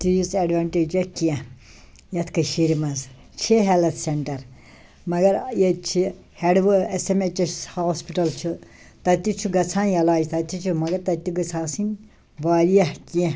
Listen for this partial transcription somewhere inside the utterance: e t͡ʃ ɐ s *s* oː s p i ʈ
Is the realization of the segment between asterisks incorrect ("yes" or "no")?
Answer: yes